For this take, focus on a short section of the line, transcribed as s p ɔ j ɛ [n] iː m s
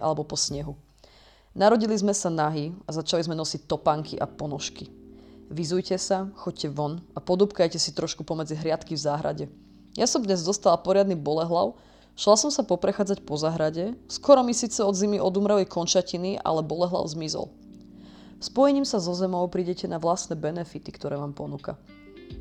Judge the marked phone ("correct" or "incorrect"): incorrect